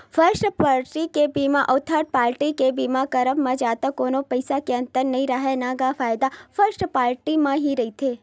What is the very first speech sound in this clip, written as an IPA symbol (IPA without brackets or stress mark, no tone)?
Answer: f